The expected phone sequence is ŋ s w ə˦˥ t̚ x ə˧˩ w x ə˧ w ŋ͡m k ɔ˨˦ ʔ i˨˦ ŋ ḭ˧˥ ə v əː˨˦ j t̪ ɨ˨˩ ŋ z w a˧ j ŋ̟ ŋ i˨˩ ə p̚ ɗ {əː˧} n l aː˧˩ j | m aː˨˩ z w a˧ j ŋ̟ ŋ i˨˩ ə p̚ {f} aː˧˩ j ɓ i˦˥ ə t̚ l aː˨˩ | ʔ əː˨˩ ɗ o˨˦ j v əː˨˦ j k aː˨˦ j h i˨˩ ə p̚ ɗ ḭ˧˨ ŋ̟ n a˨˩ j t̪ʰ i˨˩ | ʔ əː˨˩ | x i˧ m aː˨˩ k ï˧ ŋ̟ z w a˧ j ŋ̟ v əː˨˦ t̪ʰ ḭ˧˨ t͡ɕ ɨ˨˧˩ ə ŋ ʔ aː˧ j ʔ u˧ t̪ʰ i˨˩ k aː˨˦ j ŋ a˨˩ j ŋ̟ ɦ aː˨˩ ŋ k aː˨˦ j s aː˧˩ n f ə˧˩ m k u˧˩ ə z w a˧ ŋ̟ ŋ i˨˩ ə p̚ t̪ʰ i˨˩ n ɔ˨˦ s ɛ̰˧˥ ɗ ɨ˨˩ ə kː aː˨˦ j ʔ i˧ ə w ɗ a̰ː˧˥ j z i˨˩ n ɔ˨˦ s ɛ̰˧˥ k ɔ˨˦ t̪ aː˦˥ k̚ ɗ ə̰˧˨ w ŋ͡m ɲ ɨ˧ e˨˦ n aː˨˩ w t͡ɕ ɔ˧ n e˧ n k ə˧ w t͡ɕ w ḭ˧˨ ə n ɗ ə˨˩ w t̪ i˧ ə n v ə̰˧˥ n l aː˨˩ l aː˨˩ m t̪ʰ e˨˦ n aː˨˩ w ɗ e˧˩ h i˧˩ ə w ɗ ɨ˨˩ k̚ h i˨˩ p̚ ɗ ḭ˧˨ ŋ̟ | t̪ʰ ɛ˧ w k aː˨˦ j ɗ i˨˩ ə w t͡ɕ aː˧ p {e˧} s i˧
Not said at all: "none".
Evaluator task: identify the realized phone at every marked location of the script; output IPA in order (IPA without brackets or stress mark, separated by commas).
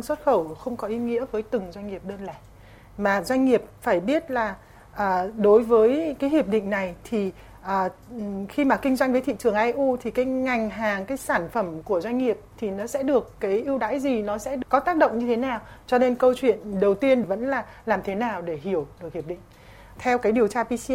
əː˧, f, i˧